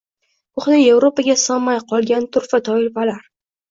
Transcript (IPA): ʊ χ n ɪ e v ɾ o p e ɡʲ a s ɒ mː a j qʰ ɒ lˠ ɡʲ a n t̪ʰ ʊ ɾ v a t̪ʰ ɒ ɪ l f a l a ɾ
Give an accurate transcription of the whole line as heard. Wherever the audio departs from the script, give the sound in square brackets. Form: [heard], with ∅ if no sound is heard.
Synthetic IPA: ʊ χ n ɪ e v ɾ o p [a] ɡʲ a s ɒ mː a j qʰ ɒ lˠ ɡʲ a n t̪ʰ ʊ ɾ [f] a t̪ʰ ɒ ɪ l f a l a ɾ